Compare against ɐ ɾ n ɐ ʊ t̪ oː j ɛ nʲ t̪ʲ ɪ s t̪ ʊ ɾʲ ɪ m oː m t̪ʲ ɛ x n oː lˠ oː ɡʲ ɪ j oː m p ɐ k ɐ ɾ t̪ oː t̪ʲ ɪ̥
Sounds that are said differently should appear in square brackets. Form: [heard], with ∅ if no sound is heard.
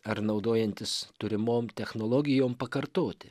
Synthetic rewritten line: ɐ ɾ n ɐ ʊ [d̪] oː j ɛ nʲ t̪ʲ ɪ s t̪ ʊ ɾʲ ɪ m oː m t̪ʲ ɛ x n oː lˠ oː ɡʲ ɪ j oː m p ɐ k ɐ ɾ t̪ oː t̪ʲ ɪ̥